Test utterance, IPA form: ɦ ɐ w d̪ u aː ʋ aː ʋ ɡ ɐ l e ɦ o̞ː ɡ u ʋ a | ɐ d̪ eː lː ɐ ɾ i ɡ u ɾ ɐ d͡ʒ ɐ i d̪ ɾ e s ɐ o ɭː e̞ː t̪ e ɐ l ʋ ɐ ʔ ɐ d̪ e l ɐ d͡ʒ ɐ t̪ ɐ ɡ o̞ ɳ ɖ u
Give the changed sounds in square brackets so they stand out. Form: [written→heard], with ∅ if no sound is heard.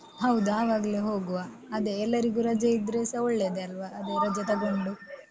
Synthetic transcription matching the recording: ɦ ɐ w d̪ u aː ʋ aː [ʋ→∅] ɡ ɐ l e ɦ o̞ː ɡ u ʋ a | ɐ d̪ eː lː ɐ ɾ i ɡ u ɾ ɐ d͡ʒ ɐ i d̪ ɾ e s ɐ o ɭː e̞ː [t̪→d̪] e ɐ l ʋ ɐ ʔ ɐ d̪ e [l→ɾ] ɐ d͡ʒ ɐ t̪ ɐ ɡ o̞ ɳ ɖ u